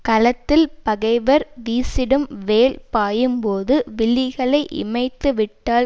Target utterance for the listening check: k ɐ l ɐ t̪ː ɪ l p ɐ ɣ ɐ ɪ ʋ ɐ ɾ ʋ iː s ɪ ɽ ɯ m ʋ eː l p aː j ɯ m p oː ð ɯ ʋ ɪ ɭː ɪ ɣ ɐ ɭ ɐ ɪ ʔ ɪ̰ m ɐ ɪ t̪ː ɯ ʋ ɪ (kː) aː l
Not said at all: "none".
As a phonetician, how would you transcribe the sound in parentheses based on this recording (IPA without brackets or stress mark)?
ʈː